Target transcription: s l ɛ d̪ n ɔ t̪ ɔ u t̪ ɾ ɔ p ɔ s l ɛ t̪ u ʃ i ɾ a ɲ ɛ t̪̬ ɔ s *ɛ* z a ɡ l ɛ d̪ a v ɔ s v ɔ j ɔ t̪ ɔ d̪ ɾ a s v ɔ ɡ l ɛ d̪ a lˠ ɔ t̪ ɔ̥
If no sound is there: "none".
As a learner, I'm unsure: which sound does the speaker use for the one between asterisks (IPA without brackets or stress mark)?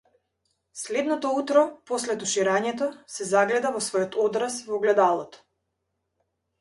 ɛ